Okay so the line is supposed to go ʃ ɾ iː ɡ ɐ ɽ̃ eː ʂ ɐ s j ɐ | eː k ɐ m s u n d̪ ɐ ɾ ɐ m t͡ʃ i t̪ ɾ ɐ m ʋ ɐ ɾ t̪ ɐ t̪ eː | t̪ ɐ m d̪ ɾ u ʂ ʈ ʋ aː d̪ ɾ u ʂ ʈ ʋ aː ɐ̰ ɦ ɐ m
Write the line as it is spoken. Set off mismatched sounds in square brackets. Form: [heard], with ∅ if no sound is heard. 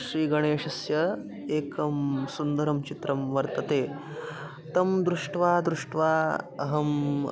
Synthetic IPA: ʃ ɾ iː ɡ ɐ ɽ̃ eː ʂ ɐ s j ɐ | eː k ɐ m s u n d̪ ɐ ɾ ɐ m t͡ʃ i t̪ ɾ ɐ m ʋ ɐ ɾ t̪ ɐ t̪ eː | t̪ ɐ m d̪ ɾ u ʂ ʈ ʋ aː d̪ ɾ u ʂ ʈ ʋ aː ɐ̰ ɦ ɐ m